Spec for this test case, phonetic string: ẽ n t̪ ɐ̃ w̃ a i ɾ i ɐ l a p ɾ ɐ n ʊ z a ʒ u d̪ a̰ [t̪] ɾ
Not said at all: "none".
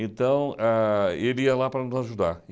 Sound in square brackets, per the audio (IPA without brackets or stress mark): none